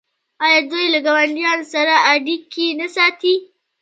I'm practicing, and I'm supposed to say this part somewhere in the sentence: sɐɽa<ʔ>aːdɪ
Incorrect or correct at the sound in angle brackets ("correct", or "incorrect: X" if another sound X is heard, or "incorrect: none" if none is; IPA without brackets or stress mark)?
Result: correct